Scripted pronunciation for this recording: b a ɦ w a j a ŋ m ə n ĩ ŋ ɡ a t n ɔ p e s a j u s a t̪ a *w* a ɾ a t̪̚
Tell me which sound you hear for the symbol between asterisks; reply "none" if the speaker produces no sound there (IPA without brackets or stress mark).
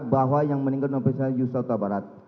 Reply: b